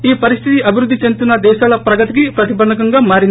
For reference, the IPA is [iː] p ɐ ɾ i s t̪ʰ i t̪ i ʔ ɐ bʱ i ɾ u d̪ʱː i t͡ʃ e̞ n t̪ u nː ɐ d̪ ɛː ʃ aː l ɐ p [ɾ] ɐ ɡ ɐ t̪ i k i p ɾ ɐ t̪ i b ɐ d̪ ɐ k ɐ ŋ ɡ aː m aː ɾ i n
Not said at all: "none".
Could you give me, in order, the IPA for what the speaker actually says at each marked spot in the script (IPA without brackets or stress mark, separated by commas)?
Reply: iː, ɾ